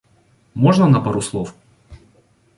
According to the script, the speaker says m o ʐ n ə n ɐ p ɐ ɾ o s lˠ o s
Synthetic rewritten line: m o ʐ n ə n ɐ p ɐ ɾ u s lˠ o f

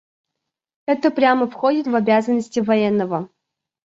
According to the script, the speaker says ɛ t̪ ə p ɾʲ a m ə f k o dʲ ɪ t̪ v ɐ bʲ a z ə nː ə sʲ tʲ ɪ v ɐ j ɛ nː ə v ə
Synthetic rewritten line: ɛ t̪ ə p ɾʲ a m ə f x o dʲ ɪ t̪ v ɐ bʲ a z ə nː ə sʲ tʲ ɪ v ɐ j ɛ nː ə v ə

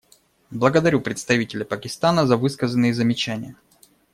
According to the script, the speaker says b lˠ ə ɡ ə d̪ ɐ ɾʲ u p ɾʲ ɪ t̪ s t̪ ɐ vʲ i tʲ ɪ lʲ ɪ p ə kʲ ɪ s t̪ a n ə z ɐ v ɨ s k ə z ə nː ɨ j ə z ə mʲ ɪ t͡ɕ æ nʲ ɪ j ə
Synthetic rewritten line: b lˠ ə ɡ ə d̪ ɐ ɾʲ u p ɾʲ ɪ t̪ s t̪ ɐ vʲ i tʲ ɪ lʲ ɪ p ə kʲ ɪ s t̪ a n ə z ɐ v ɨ s k ə z ə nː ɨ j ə z ə mʲ ɪ t͡ɕ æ nʲ ɪ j ə

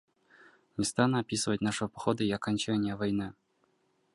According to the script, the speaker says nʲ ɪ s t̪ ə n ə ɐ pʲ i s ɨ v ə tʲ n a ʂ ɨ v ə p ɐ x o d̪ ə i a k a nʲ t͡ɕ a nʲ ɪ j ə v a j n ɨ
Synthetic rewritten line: nʲ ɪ s t̪ a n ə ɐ pʲ i s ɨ v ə tʲ n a ʂ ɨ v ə p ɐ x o d̪ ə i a k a nʲ t͡ɕ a nʲ ɪ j ə v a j n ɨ

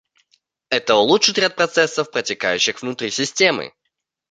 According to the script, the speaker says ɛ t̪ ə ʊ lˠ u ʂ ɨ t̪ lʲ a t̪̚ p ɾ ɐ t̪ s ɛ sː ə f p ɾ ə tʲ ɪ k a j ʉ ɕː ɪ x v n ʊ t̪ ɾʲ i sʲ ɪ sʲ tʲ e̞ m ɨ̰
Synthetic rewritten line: ɛ t̪ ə ʊ lˠ u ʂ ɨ t̪ ɾʲ a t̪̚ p ɾ ɐ t̪ s ɛ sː ə f p ɾ ə tʲ ɪ k a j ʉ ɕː ɪ x v n ʊ t̪ ɾʲ i sʲ ɪ sʲ tʲ e̞ m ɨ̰

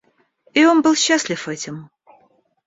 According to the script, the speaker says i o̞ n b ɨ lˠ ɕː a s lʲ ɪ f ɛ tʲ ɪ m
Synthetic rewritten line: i o̞ n b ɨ lˠ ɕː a s lʲ ɪ f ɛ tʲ ɪ m

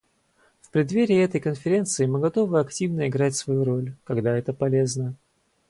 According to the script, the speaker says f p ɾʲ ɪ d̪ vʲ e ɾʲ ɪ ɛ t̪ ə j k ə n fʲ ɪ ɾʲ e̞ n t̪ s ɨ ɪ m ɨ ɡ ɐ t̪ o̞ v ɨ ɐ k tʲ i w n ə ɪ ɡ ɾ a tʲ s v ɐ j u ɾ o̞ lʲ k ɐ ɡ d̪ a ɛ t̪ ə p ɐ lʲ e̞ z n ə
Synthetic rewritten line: f p ɾʲ ɪ d̪ vʲ e ɾʲ ɪ ɛ t̪ ə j k ə n fʲ ɪ ɾʲ e̞ n t̪ s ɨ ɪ m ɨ ɡ ɐ t̪ o̞ v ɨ ɐ k tʲ i v n ə ɪ ɡ ɾ a tʲ s v ɐ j u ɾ o̞ lʲ k ɐ ɡ d̪ a ɛ t̪ ə p ɐ lʲ e̞ z n ə

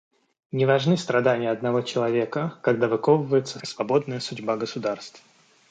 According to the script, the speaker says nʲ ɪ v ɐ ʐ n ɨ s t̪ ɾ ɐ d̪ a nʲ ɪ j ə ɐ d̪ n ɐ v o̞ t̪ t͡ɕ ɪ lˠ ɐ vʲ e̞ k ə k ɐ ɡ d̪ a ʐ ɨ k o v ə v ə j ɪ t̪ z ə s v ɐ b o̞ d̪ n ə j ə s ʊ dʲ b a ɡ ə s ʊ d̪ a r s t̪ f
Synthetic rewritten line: nʲ ɪ v ɐ ʐ n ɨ s t̪ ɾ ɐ d̪ a nʲ ɪ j ə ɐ d̪ n ɐ v o̞ t͡ɕ ɪ lˠ ɐ vʲ e̞ k ə k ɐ ɡ d̪ a v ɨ k o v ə v ə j ɪ t̪ s ə s v ɐ b o̞ d̪ n ə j ə s ʊ dʲ b a ɡ ə s ʊ d̪ a r s t̪ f

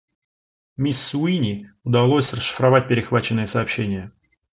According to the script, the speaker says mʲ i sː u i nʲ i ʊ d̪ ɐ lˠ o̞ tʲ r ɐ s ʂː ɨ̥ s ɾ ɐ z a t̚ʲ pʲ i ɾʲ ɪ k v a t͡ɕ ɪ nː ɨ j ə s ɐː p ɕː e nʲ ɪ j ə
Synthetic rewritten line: mʲ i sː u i nʲ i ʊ d̪ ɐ lˠ o̞ sʲ r ə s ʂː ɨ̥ f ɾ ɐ v a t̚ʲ pʲ ɪ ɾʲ ɪ x v a t͡ɕ ɪ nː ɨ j ə s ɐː p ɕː e nʲ ɪ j ə

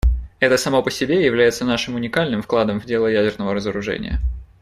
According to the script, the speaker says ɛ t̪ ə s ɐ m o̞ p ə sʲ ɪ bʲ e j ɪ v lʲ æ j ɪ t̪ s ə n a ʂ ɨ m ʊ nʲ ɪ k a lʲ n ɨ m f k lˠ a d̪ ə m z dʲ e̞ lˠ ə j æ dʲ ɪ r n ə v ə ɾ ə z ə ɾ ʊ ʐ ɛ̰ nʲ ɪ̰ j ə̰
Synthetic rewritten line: ɛ t̪ ə s ɐ m o̞ p ə sʲ ɪ bʲ e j ɪ v lʲ æ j ɪ t̪ s ə n a ʂ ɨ m ʊ nʲ ɪ k a lʲ n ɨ m f k lˠ a d̪ ə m v dʲ e̞ lˠ ə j æ dʲ ɪ r n ə v ə ɾ ə z ə ɾ ʊ ʐ ɛ̰ nʲ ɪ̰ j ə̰

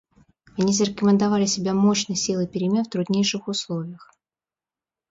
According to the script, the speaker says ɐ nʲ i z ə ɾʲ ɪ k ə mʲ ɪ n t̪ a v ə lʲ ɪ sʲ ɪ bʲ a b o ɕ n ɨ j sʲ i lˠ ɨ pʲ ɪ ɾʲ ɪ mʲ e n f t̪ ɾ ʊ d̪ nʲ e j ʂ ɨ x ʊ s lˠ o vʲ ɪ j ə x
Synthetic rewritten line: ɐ nʲ i z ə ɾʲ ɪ k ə mʲ ɪ n d̪ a v a lʲ ɪ sʲ ɪ bʲ a m o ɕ n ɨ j sʲ i lˠ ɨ pʲ ɪ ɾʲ ɪ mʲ e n f t̪ ɾ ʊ d̪ nʲ e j ʂ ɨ x ʊ s lˠ o vʲ ɪ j ə x

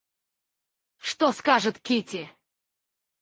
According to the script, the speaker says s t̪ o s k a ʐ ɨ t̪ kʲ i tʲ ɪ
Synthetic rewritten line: ʂ t̪ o s k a ʐ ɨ t̪ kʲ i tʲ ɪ

